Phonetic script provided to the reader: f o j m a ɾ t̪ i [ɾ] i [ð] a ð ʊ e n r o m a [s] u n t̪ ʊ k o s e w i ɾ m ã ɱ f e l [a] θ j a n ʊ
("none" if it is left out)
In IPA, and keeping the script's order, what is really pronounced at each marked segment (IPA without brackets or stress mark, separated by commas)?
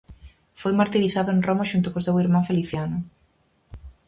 ɾ, θ, ʃ, i